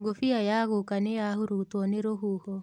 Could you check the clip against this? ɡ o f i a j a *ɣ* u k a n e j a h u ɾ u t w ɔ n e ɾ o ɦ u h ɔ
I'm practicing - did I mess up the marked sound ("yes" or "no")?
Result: no